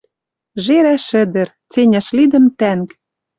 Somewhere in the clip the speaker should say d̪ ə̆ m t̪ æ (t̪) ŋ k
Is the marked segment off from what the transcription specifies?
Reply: yes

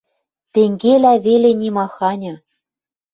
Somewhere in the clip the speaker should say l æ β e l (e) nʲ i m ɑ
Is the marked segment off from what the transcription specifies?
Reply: no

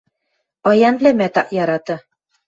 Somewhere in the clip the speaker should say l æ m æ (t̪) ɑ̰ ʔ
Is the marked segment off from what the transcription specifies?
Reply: no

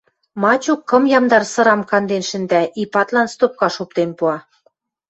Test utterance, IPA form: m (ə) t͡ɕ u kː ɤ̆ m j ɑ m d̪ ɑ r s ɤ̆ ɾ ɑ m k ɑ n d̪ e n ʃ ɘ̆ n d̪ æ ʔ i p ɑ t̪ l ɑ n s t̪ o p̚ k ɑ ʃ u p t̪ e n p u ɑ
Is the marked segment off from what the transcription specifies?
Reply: yes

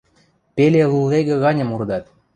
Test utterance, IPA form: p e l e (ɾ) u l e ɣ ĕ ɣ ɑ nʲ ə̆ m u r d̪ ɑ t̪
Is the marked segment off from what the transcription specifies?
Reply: yes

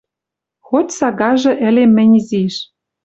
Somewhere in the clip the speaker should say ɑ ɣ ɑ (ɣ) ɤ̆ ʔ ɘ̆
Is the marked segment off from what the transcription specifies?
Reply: yes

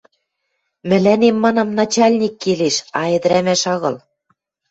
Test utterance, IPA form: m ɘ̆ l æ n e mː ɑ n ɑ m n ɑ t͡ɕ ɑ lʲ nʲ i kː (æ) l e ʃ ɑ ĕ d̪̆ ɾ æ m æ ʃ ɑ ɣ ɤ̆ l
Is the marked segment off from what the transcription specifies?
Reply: yes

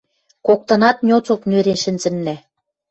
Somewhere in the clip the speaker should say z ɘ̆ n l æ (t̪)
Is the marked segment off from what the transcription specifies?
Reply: yes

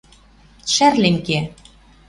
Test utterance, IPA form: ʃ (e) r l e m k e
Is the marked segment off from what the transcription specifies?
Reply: yes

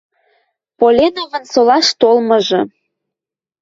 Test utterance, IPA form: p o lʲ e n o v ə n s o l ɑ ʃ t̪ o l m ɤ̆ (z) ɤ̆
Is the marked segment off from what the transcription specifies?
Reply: yes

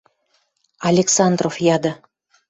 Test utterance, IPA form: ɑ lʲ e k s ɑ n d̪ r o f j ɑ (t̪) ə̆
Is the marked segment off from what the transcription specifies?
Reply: yes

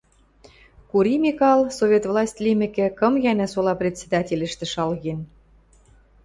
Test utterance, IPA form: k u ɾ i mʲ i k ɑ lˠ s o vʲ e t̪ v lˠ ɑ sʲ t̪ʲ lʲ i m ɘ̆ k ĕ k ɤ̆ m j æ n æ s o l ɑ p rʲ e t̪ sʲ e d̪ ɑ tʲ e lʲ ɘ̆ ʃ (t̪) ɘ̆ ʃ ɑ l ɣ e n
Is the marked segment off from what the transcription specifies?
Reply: no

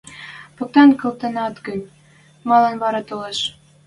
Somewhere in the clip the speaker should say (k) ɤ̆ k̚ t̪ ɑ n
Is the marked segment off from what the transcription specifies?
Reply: yes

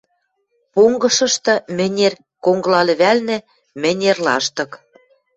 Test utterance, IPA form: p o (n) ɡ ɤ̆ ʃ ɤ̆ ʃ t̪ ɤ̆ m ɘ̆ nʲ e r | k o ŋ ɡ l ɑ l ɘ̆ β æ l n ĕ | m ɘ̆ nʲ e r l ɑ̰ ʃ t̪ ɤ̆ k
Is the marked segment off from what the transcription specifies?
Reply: yes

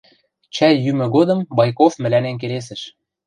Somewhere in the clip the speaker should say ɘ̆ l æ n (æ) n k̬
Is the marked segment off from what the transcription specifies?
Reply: yes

